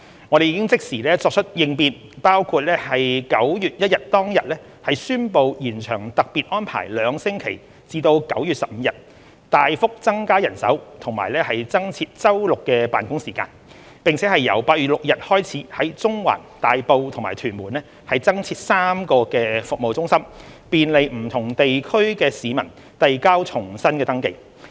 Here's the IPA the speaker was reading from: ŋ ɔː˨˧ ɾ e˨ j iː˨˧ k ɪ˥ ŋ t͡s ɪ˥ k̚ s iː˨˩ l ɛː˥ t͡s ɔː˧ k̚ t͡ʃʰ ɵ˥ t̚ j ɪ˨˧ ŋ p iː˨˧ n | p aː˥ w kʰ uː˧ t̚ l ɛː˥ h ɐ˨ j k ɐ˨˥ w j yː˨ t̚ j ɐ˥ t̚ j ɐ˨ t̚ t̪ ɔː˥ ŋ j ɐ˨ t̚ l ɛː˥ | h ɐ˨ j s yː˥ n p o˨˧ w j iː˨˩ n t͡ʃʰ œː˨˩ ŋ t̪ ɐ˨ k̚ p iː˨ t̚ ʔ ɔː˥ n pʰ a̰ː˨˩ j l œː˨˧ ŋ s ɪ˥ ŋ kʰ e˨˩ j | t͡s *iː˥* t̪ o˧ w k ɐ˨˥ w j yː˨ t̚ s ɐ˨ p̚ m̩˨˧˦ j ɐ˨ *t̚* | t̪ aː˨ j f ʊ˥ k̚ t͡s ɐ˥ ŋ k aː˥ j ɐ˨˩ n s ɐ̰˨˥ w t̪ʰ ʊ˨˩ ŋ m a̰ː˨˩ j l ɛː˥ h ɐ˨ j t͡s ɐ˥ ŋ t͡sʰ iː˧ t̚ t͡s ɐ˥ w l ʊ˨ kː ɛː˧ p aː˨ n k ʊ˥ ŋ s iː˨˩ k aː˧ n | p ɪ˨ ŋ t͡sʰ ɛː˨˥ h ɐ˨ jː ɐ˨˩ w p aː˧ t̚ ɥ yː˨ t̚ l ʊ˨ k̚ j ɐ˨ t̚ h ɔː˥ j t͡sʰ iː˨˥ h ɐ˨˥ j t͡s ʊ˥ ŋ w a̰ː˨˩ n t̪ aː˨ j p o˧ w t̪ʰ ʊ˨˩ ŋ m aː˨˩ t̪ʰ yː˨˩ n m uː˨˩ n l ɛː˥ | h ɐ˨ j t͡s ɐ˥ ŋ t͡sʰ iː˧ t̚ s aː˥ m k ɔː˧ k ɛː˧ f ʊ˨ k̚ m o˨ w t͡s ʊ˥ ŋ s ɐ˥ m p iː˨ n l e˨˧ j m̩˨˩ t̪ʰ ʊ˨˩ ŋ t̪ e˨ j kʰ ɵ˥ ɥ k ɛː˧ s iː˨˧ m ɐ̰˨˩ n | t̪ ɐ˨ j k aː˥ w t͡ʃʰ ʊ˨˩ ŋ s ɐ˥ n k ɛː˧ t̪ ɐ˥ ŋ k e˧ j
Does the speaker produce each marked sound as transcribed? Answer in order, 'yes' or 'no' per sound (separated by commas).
no, yes